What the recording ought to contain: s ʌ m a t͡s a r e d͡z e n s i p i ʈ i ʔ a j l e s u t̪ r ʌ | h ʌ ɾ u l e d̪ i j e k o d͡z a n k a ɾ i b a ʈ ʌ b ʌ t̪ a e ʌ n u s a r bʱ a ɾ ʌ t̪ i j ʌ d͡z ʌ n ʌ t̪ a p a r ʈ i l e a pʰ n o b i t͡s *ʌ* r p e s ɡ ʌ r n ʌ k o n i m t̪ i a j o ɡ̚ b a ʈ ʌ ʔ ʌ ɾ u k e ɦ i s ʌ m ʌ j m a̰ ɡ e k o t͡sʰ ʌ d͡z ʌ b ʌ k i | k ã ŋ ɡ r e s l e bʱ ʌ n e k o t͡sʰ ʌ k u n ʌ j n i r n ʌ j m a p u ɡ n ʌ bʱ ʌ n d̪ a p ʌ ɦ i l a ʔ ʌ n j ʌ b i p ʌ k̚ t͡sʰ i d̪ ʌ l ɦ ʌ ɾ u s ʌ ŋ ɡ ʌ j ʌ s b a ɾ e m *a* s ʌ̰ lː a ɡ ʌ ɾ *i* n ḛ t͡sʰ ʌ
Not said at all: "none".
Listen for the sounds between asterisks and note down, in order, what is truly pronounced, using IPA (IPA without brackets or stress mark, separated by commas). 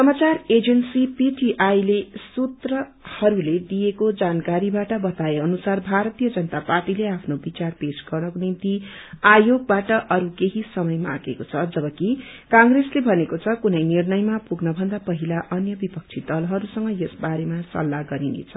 a, a, i